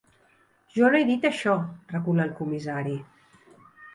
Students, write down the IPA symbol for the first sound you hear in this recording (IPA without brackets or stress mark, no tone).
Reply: ʒ